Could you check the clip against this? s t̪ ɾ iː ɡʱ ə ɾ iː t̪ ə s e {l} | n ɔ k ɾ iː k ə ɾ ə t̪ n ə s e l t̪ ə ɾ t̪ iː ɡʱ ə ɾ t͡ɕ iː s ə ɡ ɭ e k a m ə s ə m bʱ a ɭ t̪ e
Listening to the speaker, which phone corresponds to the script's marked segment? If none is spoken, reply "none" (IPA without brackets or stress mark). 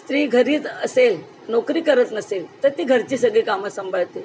l